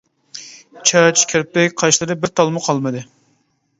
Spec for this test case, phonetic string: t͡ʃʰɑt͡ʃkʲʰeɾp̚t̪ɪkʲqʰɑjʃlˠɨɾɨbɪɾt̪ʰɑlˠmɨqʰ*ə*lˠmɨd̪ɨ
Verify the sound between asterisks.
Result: incorrect: ɑ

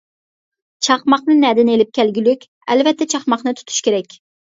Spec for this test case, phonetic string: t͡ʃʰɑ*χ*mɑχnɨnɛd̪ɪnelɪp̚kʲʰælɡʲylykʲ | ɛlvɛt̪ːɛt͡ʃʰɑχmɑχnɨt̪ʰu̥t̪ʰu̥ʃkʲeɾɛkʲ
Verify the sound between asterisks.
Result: correct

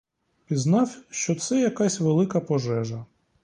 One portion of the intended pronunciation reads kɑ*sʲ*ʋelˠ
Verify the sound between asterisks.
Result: correct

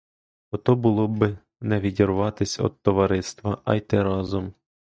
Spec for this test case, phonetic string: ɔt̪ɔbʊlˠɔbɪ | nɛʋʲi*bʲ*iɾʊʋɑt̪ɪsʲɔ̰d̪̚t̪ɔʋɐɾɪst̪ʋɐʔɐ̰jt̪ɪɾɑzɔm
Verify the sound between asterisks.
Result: incorrect: dʲ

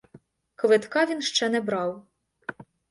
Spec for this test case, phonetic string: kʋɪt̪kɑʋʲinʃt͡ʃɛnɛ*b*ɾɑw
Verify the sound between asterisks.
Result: correct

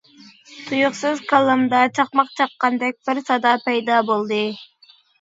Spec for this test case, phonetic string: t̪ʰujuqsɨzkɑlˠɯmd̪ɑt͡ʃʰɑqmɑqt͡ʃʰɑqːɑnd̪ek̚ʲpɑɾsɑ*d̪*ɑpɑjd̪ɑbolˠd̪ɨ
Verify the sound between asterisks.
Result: correct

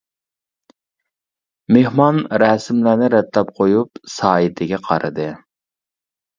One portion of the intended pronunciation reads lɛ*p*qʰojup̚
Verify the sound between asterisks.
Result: correct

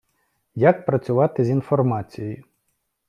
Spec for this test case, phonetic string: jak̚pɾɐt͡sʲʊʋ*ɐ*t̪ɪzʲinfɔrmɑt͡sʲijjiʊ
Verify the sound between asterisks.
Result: incorrect: ɑ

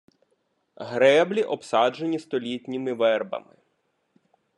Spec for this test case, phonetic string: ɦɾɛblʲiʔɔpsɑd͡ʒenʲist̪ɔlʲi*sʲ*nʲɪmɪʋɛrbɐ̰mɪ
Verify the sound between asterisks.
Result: incorrect: tʲ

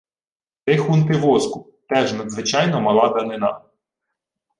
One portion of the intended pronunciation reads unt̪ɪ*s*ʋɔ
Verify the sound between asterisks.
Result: incorrect: none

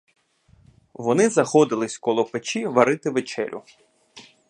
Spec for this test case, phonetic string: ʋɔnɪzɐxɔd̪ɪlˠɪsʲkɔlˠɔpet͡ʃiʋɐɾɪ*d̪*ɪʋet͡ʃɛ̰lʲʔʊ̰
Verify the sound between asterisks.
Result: incorrect: t̪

